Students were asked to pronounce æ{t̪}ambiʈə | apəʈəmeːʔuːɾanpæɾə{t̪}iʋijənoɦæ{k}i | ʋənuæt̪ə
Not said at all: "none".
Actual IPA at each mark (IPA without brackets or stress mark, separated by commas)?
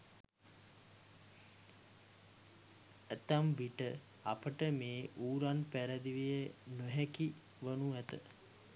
t̪, d̪, k